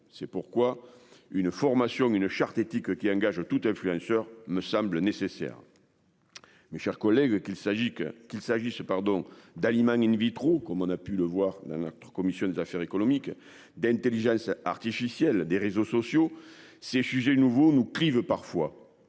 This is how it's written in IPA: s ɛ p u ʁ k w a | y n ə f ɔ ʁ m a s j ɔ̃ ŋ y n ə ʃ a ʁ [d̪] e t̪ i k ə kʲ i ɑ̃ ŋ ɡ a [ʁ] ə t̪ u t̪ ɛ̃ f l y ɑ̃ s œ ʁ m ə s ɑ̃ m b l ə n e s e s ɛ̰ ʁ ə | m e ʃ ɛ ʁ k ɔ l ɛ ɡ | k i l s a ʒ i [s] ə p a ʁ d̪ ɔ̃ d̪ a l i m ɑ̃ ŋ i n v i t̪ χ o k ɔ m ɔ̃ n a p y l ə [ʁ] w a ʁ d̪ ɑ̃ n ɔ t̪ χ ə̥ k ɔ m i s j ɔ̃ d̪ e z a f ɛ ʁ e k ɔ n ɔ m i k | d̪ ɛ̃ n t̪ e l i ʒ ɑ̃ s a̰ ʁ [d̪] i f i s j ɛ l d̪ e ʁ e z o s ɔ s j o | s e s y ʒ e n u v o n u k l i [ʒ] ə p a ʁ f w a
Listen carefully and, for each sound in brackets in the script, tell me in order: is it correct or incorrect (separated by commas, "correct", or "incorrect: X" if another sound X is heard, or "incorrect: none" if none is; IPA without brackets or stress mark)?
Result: incorrect: t̪, incorrect: ʒ, correct, incorrect: v, incorrect: t̪, incorrect: v